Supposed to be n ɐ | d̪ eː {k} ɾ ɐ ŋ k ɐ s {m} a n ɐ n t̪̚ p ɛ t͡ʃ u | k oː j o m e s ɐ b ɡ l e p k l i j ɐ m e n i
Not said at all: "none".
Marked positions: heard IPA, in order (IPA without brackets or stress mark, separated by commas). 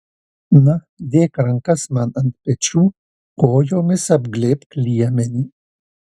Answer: k, m